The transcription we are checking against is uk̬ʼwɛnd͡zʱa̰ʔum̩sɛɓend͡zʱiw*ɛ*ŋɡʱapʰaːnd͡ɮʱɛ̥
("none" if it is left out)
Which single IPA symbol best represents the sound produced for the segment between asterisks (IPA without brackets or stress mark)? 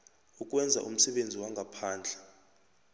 a